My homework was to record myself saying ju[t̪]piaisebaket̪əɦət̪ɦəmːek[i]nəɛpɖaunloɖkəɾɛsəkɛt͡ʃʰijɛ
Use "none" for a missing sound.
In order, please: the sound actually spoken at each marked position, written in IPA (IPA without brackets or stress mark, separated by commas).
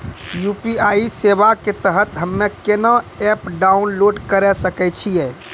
none, e